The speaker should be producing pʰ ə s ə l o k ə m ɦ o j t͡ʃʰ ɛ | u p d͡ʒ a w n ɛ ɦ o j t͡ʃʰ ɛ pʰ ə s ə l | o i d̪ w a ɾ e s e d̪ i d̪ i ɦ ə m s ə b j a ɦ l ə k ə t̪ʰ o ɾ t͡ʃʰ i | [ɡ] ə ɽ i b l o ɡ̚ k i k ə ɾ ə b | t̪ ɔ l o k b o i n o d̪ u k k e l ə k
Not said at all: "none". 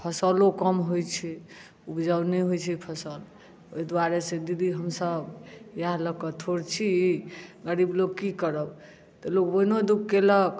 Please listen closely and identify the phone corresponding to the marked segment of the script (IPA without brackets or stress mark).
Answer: ɡ